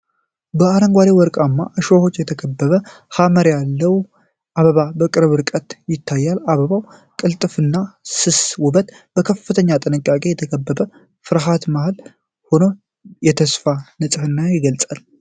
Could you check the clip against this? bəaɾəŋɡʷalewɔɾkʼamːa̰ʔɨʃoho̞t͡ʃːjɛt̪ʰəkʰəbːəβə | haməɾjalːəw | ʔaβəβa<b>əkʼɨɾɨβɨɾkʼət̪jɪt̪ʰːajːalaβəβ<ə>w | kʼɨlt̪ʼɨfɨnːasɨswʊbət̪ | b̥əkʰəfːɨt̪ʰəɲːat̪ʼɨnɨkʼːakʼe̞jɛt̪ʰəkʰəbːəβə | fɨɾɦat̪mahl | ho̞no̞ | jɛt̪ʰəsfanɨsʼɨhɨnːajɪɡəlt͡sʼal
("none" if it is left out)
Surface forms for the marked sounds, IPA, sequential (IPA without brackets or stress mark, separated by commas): b, a